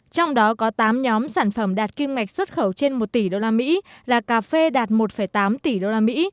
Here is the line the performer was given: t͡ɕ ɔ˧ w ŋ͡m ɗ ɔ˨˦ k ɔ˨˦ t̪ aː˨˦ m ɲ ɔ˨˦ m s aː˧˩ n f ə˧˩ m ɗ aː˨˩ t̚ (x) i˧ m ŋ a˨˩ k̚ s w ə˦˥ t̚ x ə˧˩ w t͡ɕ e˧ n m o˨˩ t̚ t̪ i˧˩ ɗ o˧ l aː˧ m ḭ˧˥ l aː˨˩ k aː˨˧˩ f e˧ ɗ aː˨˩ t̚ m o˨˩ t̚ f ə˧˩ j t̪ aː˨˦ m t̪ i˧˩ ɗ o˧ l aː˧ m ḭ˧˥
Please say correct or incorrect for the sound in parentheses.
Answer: incorrect